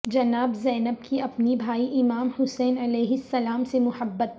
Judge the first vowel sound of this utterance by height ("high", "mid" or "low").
low